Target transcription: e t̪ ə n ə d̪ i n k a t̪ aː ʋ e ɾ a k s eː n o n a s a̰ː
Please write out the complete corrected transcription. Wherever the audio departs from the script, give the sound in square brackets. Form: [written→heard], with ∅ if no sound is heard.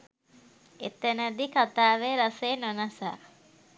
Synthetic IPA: e t̪ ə n ə d̪ i [n→∅] k a t̪ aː ʋ e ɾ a [k→∅] s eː n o n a s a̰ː